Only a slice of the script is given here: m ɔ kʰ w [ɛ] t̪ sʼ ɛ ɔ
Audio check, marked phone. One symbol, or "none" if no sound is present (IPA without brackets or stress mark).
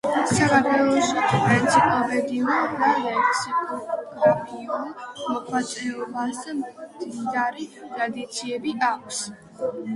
a